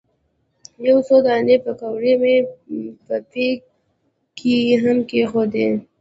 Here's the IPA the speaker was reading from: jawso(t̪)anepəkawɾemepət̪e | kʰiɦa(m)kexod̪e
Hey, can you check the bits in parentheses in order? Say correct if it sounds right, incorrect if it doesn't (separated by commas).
incorrect, correct